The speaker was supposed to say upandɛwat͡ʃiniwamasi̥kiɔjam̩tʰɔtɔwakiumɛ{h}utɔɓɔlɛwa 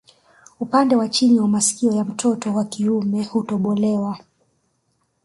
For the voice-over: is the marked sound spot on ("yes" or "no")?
yes